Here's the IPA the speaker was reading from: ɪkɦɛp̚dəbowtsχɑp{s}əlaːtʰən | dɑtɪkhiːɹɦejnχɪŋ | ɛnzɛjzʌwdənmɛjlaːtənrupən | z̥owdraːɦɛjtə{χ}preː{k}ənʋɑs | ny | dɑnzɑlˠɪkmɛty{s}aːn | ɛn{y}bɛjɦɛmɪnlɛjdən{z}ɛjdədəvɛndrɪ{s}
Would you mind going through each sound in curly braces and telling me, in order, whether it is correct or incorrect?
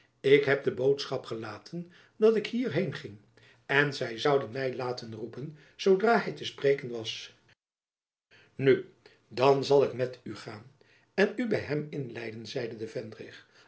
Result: incorrect: χ, incorrect: s, correct, incorrect: χ, correct, correct, incorrect: χ

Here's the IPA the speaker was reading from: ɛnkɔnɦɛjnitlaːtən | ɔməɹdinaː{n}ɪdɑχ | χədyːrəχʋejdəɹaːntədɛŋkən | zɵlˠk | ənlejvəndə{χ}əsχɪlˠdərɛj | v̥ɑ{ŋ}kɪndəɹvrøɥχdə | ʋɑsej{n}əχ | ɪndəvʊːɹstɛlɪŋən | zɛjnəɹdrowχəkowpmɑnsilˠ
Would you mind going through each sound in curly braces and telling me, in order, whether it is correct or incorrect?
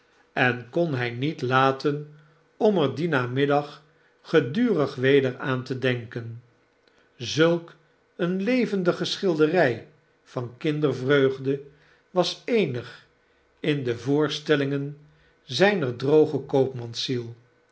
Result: incorrect: m, correct, incorrect: n, correct

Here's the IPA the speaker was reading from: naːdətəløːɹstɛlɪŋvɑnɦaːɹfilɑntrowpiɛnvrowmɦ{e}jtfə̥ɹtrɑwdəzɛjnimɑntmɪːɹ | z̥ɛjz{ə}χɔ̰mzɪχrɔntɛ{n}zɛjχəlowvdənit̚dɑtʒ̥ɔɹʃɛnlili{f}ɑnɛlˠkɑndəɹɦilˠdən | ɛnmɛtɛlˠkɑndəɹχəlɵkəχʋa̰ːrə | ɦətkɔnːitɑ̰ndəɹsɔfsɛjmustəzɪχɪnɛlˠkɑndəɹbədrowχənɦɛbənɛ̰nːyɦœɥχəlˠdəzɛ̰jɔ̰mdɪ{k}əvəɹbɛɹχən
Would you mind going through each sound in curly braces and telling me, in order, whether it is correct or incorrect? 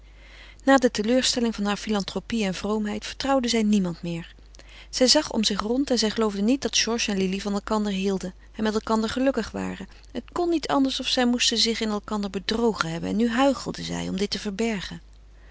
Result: incorrect: ɛ, incorrect: ɑ, correct, incorrect: v, incorrect: t

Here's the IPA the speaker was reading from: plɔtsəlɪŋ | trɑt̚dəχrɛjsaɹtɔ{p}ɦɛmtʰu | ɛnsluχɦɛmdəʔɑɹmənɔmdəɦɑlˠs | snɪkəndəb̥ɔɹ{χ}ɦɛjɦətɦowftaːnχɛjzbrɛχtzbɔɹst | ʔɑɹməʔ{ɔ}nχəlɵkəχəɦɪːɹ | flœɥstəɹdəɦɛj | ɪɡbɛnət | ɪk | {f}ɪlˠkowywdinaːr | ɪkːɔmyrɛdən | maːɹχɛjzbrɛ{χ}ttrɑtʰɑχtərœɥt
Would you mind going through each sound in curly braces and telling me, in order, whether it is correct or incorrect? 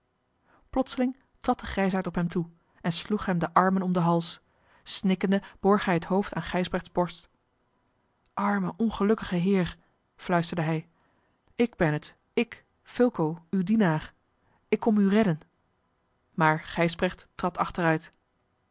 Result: correct, correct, correct, correct, correct

